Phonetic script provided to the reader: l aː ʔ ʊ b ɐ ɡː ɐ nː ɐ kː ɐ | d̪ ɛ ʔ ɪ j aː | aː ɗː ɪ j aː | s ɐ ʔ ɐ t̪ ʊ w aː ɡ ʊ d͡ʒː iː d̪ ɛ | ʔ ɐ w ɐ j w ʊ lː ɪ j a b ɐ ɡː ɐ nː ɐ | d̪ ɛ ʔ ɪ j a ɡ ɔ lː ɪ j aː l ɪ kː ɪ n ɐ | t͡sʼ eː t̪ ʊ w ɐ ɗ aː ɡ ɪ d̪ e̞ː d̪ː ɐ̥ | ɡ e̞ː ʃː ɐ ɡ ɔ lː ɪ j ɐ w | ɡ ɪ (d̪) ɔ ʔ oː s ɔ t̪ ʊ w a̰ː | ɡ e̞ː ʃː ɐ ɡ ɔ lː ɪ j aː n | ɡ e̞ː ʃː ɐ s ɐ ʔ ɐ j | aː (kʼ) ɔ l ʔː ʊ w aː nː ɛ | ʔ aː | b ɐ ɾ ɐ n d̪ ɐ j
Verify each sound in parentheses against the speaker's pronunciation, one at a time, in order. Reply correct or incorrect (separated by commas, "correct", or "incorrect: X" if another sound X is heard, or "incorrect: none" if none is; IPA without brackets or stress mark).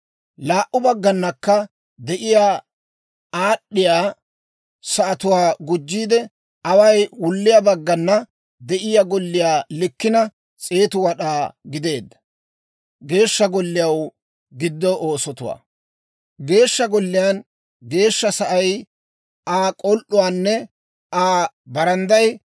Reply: incorrect: d̪ː, correct